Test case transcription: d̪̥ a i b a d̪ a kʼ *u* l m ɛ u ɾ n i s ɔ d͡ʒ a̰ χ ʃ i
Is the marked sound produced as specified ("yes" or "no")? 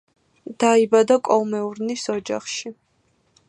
no